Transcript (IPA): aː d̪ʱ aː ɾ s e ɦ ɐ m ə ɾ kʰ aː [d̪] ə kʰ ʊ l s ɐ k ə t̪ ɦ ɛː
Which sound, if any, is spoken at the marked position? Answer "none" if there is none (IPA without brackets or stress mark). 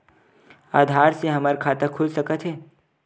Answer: t̪